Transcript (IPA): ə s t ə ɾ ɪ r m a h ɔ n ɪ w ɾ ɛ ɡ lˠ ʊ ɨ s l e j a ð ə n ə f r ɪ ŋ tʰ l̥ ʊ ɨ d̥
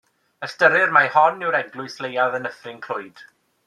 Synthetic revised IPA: ə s t ə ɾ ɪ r m a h ɔ n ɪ w ɾ ɛ ɡ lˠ ʊ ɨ s l e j a ð ə n ə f r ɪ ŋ kʰ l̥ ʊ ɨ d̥